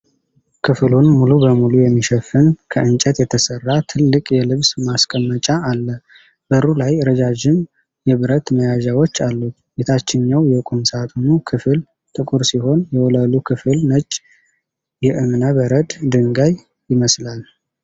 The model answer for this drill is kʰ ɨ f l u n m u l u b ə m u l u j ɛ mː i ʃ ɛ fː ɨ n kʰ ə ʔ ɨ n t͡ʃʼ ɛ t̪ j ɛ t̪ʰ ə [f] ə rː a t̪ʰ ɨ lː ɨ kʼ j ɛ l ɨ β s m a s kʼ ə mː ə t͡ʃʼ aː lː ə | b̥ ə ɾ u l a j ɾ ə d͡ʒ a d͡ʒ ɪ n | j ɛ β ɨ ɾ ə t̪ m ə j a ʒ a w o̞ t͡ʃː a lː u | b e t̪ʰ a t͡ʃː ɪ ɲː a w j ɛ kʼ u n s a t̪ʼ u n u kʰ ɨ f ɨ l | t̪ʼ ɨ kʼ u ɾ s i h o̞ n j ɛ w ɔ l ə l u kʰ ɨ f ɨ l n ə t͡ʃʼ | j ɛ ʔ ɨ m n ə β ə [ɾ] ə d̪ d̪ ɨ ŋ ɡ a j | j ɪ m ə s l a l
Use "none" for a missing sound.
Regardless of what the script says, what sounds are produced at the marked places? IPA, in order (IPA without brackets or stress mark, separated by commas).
s, ɾ